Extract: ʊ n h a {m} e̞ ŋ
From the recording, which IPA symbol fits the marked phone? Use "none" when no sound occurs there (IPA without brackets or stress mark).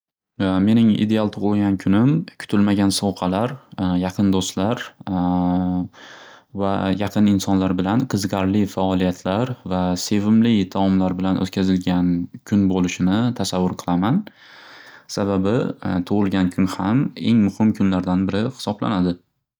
m